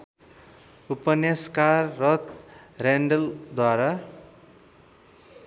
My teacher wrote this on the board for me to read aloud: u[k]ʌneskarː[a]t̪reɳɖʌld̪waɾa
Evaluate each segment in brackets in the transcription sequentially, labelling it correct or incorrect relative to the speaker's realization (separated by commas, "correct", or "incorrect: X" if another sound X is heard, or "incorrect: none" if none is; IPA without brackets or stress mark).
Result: incorrect: p, incorrect: ʌ